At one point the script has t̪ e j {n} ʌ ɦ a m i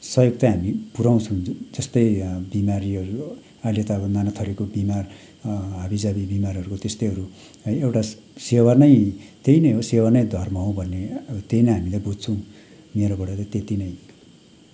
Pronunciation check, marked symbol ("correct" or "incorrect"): correct